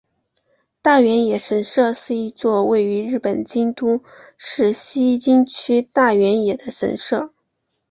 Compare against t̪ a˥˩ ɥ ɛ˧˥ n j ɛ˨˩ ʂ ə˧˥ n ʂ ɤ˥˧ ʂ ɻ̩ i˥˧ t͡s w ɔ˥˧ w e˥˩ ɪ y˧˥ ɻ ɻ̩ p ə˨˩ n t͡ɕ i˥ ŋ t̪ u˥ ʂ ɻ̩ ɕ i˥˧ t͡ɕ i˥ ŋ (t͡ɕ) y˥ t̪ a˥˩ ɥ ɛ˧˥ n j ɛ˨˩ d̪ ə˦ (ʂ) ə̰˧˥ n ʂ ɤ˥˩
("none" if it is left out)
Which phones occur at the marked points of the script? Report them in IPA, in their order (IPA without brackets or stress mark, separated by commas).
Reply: t͡ɕʰ, ʂ